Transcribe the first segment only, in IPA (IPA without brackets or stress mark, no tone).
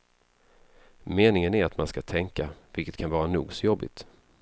m